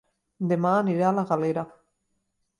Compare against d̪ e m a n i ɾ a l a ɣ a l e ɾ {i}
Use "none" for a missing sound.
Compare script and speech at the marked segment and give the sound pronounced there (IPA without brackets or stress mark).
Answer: a